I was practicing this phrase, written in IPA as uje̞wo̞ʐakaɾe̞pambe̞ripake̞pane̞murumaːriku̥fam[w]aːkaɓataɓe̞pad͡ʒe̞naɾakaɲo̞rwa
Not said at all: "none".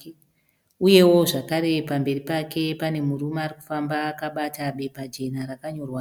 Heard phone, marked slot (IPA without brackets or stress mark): b